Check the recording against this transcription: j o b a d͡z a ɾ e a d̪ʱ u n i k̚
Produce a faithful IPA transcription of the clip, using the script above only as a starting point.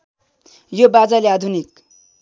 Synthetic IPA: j o b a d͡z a l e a d̪ʱ u n i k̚